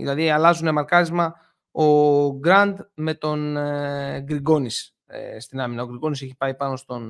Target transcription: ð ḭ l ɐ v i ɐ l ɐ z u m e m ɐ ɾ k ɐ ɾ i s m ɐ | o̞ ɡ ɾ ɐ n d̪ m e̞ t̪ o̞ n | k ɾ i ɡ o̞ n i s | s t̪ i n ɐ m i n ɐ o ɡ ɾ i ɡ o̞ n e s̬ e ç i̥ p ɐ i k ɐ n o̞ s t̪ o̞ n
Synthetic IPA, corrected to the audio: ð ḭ l ɐ ð i ɐ l ɐ z u n e m ɐ ɾ k ɐ ɾ i z m ɐ | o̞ ɡ ɾ ɐ n d̪ m e̞ t̪ o̞ n | ɡ ɾ i ɡ o̞ n i s | s t̪ i n ɐ m i n ɐ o ɡ ɾ i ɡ o̞ n i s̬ e ç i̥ p ɐ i p ɐ n o̞ s t̪ o̞ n